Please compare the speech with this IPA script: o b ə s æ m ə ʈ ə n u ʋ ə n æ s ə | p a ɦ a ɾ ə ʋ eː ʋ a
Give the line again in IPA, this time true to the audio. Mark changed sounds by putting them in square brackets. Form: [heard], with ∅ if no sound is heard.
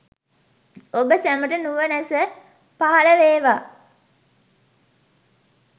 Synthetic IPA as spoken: o b ə s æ m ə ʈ ə n u ʋ ə n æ s ə | p a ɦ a [l] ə ʋ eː ʋ a